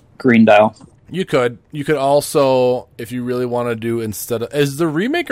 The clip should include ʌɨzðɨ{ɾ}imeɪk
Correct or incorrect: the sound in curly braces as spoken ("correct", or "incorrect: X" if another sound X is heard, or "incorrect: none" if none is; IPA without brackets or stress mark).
incorrect: ɹ